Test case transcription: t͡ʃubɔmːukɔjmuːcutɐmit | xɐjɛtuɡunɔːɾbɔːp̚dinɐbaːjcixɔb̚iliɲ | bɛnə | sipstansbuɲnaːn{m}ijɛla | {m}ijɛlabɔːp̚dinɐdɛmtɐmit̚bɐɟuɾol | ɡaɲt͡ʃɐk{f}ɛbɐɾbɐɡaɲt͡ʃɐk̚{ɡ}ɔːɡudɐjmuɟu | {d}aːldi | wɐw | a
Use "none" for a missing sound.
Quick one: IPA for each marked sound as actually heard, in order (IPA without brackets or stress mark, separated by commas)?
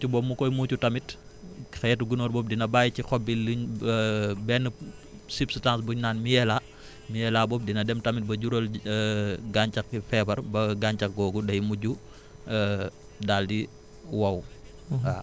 m, m, f, ɡ, d